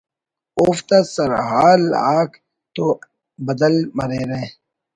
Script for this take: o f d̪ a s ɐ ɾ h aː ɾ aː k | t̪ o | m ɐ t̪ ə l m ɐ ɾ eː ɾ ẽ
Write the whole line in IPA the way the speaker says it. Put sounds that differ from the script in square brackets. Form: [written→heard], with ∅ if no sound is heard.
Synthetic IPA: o f [d̪→t̪] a s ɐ ɾ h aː [ɾ→l] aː k | t̪ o | [m→b] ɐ [t̪→d̪] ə l m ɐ ɾ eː ɾ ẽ